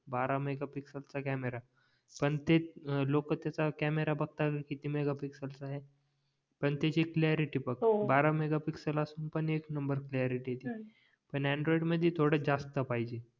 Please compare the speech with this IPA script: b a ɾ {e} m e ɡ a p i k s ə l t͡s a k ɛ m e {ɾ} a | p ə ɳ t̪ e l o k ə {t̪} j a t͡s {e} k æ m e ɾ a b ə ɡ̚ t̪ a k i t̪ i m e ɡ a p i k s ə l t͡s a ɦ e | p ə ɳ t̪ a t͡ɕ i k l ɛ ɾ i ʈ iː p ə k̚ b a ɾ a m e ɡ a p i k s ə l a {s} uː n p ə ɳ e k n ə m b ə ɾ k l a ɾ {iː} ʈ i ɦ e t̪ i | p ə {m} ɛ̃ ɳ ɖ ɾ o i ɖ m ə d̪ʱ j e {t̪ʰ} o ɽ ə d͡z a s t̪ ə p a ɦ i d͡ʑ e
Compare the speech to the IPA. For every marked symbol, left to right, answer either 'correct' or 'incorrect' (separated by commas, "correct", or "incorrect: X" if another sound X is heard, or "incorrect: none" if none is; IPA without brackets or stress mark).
incorrect: a, correct, correct, incorrect: a, correct, incorrect: i, incorrect: ɳ, correct